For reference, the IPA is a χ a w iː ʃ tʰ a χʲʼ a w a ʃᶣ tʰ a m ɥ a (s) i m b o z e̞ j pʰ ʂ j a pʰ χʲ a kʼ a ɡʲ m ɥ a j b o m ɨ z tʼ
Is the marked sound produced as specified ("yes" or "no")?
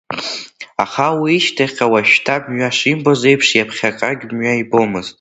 no